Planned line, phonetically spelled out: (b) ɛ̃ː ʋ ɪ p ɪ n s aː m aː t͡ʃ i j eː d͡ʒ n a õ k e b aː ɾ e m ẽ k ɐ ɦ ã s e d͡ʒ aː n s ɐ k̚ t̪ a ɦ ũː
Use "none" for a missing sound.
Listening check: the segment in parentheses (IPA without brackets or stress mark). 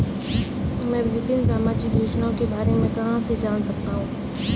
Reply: m